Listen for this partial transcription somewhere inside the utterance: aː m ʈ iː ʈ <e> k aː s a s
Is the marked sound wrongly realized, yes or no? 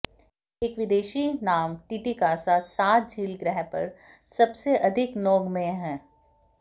yes